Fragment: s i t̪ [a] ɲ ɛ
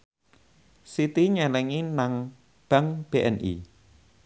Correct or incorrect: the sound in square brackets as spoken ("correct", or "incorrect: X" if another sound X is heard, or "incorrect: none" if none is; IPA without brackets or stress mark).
incorrect: i